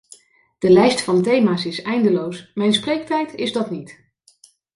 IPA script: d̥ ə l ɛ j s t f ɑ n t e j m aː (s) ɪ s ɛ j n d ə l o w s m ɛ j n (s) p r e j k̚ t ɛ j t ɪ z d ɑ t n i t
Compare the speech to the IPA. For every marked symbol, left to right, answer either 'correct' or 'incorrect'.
correct, correct

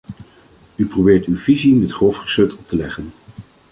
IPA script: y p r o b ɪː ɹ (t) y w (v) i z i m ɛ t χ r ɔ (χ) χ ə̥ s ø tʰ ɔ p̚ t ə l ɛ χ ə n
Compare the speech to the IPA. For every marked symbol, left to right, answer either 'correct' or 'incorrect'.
correct, correct, incorrect: f

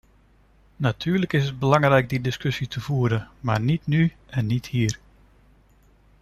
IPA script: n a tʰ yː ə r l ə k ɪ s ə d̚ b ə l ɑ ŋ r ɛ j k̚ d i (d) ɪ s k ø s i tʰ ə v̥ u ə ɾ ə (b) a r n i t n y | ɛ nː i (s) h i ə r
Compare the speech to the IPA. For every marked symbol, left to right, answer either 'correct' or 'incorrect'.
correct, incorrect: m, incorrect: t

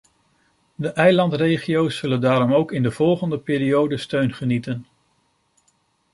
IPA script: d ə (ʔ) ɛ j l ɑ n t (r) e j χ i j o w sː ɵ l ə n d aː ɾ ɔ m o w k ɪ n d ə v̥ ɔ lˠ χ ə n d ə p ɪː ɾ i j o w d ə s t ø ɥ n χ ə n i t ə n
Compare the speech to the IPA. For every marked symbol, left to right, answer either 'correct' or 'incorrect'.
correct, correct

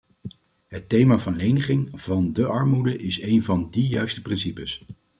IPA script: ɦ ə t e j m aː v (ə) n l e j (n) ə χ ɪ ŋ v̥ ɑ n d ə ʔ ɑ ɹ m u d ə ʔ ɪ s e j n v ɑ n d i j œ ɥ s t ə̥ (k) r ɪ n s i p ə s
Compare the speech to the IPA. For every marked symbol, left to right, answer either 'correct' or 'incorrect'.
incorrect: ɑ, correct, incorrect: p

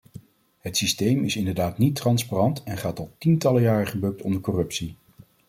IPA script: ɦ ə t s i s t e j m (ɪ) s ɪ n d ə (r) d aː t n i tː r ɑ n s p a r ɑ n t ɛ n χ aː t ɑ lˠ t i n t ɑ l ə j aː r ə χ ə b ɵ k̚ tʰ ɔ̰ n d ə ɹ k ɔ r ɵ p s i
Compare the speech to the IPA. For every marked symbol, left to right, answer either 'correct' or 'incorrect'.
correct, incorrect: ɹ

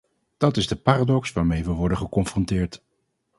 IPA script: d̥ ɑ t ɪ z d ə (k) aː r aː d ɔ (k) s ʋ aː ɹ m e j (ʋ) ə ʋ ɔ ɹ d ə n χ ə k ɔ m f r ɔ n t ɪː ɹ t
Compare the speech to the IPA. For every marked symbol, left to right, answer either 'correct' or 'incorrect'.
incorrect: p, correct, correct

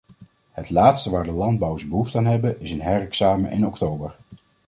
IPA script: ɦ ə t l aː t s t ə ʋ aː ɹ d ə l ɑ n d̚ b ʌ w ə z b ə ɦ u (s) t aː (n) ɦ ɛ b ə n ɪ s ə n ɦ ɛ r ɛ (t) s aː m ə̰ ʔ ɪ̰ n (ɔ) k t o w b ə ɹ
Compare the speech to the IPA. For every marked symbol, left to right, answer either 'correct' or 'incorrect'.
incorrect: f, correct, incorrect: k, correct

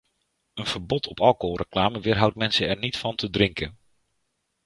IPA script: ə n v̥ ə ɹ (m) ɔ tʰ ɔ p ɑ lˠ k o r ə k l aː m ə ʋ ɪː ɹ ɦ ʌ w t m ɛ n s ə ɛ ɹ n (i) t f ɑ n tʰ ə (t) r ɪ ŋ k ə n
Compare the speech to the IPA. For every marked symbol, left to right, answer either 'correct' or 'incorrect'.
incorrect: b, correct, incorrect: d

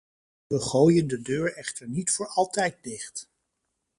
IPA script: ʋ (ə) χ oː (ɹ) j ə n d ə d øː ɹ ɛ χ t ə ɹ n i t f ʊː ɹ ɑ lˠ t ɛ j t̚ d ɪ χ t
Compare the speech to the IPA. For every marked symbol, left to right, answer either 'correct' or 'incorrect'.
correct, incorrect: none

